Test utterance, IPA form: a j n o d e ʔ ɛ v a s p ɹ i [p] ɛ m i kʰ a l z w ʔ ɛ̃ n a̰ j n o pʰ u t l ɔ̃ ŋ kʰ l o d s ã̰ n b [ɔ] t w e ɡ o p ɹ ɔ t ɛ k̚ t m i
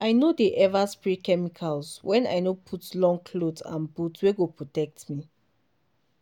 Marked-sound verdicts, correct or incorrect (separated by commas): incorrect, incorrect